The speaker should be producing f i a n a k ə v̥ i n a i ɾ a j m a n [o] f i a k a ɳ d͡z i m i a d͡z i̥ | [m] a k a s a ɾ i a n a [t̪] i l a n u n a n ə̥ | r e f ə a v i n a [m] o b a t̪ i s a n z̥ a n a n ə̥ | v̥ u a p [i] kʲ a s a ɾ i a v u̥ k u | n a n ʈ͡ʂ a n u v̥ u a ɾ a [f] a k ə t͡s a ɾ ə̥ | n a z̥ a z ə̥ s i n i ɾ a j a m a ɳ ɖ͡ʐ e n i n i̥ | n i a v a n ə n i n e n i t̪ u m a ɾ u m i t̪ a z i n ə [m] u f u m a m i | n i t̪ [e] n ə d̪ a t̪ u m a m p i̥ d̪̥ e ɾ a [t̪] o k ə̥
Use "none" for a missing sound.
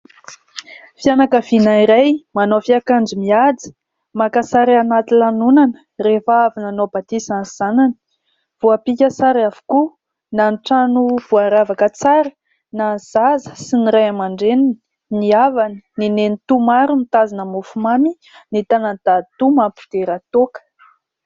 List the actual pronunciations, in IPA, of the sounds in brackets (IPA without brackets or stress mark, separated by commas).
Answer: o, m, t̪, n, i, v, m, a, t̪